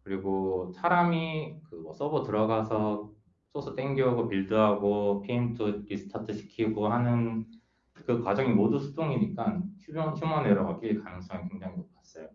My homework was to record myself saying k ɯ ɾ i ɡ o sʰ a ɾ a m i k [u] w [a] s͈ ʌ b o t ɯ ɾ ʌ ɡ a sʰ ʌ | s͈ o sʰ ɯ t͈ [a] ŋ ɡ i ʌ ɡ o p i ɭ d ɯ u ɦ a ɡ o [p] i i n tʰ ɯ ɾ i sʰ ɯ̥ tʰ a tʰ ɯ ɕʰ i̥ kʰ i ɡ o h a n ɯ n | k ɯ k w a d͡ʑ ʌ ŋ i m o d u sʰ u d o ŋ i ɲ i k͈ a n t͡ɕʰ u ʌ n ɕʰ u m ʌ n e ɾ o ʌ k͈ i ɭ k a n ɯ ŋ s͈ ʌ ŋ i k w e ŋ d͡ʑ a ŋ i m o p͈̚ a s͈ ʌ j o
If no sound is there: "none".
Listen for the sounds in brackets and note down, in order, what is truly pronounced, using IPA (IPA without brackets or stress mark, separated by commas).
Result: ɯ, ʌ, e, pʰ